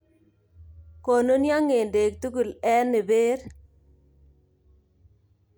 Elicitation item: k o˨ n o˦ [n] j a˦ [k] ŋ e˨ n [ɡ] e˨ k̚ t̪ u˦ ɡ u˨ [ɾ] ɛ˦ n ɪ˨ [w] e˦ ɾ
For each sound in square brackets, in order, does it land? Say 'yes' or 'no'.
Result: yes, no, no, no, no

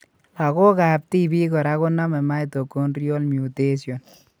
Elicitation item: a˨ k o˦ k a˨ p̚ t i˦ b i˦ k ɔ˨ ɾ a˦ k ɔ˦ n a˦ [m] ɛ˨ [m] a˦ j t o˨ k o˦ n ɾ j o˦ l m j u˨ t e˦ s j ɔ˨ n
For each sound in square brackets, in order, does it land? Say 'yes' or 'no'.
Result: yes, yes

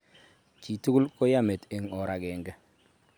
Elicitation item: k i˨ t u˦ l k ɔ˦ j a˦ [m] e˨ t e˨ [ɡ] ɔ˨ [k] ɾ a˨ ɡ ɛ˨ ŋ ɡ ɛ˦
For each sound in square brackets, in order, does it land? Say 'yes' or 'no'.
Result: yes, no, no

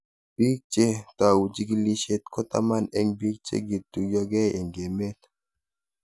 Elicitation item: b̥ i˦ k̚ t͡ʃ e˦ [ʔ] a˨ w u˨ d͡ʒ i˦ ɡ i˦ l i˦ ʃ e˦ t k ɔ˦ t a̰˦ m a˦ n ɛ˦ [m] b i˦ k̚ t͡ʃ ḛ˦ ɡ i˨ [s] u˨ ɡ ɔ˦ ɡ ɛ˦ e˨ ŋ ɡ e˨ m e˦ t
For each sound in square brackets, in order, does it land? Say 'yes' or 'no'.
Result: no, no, no

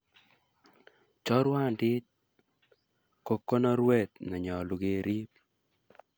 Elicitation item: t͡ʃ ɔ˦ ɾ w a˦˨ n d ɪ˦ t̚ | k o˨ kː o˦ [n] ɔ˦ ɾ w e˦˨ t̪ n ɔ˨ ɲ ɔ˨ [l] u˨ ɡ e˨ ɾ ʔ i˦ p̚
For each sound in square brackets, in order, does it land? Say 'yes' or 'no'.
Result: yes, yes

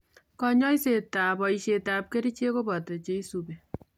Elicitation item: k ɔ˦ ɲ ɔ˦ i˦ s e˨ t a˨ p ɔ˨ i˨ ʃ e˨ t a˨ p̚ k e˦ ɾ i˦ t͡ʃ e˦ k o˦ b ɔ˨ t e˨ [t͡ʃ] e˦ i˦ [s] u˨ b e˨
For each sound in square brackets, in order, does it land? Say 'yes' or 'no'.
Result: yes, yes

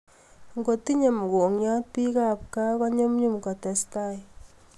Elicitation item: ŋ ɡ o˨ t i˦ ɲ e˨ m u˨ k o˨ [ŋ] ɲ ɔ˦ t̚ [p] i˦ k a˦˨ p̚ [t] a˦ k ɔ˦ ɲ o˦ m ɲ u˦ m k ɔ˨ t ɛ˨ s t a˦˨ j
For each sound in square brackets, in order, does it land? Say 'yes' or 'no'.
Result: yes, yes, no

